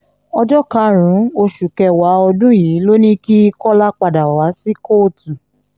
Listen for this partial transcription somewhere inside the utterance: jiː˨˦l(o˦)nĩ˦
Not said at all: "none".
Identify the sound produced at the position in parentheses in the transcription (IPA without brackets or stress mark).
o˦